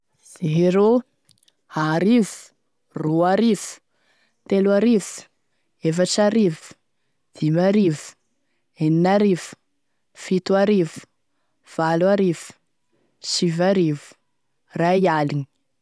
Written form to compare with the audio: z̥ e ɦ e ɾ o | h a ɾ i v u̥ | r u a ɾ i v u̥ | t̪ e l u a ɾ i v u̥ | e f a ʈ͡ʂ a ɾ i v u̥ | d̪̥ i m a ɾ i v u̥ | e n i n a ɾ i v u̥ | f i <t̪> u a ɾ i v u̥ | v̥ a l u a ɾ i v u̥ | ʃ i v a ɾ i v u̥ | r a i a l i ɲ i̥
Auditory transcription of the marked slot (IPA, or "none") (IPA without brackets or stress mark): t̪